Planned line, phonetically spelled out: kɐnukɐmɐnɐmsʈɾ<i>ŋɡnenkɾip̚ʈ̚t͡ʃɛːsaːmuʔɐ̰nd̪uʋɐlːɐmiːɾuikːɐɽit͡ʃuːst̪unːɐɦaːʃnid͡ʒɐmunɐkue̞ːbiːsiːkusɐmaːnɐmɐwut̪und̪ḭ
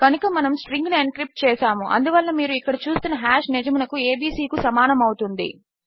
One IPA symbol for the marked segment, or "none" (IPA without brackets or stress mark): i